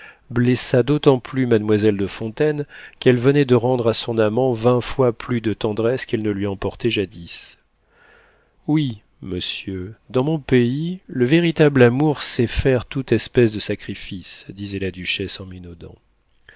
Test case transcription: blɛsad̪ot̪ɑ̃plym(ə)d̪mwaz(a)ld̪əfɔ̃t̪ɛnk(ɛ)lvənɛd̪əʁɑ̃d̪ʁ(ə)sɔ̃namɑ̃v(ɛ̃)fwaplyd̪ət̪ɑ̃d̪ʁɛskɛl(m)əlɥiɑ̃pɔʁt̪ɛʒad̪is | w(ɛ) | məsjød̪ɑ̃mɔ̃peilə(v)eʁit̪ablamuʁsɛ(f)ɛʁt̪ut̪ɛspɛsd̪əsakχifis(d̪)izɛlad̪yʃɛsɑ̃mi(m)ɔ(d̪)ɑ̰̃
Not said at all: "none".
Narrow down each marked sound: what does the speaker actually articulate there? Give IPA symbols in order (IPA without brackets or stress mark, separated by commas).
a, ɛ, ɛ, a, ɛ̃, n, i, v, f, d̪, n, d̪